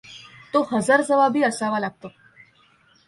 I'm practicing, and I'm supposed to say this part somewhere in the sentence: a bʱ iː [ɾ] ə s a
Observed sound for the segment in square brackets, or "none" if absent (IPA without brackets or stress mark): none